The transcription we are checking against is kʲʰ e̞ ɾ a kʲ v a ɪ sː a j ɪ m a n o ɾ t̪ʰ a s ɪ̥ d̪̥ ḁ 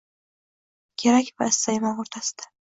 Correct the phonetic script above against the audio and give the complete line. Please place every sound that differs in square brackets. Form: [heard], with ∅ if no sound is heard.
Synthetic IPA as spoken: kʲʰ e̞ ɾ a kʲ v a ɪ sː a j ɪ m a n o ɾ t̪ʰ a s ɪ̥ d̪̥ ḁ